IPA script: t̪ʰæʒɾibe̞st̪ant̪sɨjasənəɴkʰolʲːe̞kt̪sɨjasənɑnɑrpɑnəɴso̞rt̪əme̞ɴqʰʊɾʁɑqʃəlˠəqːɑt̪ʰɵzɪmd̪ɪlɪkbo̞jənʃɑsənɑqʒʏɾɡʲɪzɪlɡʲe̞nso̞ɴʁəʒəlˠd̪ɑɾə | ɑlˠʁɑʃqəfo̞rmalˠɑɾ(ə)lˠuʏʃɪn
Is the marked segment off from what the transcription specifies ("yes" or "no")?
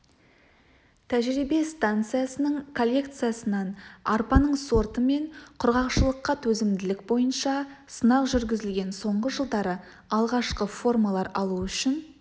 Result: yes